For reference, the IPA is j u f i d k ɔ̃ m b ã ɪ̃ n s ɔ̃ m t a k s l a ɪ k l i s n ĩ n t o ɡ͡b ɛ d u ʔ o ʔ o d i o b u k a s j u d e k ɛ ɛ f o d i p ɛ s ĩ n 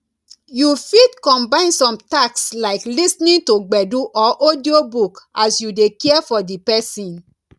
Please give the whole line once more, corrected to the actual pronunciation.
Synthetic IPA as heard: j u f i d k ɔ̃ m b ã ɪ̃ n s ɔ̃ m t a k s l a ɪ k l i s n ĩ n t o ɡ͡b ɛ d u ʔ ɔ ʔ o d i o b u k a s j u d e k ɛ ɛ f ɔ d i p ɛ s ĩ n